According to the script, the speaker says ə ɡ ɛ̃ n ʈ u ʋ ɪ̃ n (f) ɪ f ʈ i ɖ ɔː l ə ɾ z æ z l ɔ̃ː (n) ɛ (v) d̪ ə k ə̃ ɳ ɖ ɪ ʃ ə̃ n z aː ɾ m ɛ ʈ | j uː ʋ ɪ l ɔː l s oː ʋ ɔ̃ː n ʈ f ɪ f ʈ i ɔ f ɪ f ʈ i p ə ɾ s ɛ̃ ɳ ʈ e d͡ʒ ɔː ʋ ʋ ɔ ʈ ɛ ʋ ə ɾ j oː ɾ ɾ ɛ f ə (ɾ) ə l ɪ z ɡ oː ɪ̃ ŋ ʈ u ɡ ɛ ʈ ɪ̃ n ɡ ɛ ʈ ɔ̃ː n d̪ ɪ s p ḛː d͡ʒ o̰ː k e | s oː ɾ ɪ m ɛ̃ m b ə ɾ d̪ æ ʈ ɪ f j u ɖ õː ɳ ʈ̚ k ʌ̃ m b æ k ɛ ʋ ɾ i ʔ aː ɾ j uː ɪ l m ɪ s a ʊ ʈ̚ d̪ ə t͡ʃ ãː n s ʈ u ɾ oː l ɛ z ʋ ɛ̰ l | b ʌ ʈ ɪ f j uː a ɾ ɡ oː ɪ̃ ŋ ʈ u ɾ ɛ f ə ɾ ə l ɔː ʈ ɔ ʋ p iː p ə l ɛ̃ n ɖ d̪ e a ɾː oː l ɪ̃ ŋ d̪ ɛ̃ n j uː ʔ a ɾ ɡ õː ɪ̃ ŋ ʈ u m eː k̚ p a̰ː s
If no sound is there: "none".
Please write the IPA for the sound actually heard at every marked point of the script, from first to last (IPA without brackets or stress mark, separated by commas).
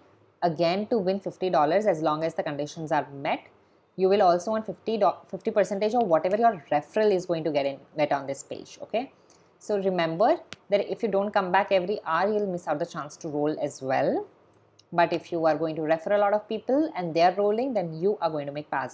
f, ŋ, z, ɾ